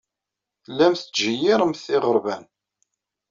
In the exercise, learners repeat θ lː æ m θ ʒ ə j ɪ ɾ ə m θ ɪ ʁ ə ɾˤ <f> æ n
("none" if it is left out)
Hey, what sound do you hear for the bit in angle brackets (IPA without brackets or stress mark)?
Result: v